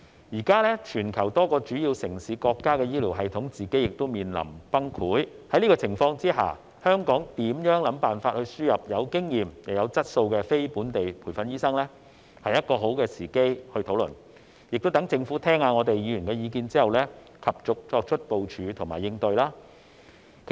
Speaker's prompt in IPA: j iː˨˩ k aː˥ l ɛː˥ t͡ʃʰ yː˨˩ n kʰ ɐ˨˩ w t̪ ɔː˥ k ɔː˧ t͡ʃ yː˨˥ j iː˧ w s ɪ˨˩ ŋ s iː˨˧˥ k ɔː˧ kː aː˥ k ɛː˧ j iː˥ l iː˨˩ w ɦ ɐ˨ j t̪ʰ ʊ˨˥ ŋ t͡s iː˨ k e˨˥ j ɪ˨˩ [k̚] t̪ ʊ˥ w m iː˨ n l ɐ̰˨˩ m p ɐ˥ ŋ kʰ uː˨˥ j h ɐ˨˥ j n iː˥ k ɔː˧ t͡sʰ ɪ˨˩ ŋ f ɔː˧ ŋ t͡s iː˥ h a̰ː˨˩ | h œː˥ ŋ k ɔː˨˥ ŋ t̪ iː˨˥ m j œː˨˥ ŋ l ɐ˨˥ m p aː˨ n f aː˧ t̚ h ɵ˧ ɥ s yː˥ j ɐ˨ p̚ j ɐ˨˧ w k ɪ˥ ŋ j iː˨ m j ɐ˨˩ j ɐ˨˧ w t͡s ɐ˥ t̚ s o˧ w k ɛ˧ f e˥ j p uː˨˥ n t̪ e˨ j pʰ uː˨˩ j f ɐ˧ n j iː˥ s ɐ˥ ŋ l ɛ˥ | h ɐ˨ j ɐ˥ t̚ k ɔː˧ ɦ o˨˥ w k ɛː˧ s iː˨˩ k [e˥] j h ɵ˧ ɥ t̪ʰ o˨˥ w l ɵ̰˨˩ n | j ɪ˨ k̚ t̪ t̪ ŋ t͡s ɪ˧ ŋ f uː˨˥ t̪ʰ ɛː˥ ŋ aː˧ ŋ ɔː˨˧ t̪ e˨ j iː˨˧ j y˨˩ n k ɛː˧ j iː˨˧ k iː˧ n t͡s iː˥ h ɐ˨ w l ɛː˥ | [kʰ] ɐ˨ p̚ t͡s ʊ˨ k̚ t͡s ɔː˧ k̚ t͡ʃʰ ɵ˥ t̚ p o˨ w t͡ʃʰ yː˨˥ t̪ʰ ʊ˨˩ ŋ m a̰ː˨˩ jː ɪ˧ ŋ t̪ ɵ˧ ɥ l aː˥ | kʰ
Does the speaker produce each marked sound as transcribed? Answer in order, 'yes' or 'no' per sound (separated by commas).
yes, yes, yes